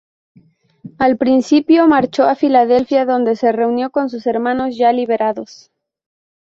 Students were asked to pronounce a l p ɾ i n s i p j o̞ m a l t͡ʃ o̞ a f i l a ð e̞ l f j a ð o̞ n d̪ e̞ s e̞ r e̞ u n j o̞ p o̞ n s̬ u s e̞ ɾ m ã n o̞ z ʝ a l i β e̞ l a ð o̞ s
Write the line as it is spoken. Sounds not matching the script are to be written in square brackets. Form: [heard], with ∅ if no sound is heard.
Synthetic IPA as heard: a l p ɾ i n s i p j o̞ m a [ɾ] t͡ʃ o̞ a f i l a ð e̞ l f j a ð o̞ n d̪ e̞ s e̞ r e̞ u n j o̞ [k] o̞ n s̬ u s e̞ ɾ m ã n o̞ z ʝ a l i β e̞ [ɾ] a ð o̞ s